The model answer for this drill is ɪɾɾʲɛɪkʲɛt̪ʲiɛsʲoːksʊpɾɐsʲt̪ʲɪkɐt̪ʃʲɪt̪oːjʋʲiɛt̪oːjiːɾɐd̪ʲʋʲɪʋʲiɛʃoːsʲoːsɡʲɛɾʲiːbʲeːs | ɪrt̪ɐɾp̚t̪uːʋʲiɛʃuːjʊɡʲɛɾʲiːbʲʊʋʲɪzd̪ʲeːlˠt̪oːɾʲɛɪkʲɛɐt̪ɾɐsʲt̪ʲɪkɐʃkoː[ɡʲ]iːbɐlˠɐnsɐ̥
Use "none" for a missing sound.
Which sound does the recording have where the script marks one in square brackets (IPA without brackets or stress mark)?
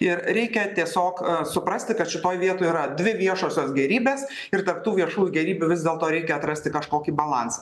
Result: kʲ